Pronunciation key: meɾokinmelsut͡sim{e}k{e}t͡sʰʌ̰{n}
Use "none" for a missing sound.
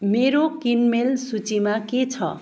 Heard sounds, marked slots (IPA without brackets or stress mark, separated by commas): a, e, none